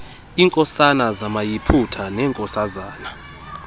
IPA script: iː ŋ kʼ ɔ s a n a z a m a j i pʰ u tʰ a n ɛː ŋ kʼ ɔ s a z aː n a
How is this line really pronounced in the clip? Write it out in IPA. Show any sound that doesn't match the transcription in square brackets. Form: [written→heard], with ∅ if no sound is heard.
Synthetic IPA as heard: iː ŋ kʼ ɔ s a n a z a m a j i pʰ u tʰ a n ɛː ŋ kʼ ɔ s a z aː n a